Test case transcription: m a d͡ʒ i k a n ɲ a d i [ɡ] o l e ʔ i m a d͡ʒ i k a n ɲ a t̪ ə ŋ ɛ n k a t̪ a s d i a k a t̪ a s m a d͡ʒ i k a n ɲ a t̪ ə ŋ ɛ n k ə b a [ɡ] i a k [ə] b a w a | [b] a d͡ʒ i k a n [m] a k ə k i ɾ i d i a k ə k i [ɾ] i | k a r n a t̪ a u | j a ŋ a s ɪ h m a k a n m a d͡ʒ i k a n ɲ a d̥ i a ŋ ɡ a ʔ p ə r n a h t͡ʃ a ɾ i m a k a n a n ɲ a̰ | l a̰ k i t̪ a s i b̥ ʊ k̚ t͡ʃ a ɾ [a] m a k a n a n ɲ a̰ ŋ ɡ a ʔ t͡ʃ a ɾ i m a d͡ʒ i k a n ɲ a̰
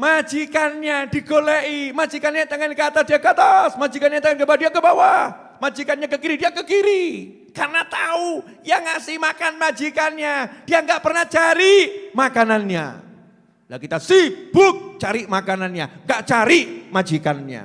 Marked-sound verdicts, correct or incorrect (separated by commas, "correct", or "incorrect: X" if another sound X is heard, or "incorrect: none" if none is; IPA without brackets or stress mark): correct, incorrect: d, correct, incorrect: m, incorrect: ɲ, correct, incorrect: i